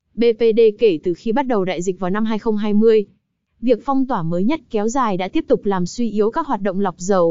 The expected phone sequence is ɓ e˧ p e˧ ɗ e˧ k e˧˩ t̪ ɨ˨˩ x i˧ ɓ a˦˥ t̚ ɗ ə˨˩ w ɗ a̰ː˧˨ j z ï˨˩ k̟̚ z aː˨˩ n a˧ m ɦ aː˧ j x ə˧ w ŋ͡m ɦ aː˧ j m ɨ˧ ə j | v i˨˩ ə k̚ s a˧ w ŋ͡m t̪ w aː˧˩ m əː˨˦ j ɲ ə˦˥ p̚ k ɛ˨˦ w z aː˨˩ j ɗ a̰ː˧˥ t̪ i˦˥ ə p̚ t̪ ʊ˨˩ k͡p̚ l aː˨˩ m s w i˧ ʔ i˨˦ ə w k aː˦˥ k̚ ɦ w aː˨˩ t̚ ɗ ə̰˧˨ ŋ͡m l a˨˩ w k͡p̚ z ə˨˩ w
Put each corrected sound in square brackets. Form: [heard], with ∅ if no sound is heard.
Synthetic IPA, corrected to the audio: ɓ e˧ p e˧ ɗ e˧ k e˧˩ t̪ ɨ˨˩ x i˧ ɓ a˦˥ t̚ ɗ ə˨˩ w ɗ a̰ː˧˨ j z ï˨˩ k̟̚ [v] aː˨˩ n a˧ m ɦ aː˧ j x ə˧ w ŋ͡m ɦ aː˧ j m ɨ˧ ə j | v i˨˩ ə k̚ [f] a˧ w ŋ͡m t̪ w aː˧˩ m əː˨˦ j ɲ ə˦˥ [t̚] k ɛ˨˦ w z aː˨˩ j ɗ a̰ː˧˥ t̪ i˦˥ ə p̚ t̪ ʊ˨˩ k͡p̚ l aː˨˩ m s w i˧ ʔ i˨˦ ə w k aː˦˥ k̚ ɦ w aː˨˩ t̚ ɗ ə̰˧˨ ŋ͡m l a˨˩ w k͡p̚ z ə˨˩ w